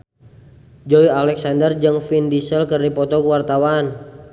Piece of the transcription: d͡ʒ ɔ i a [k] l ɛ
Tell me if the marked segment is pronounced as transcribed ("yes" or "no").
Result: no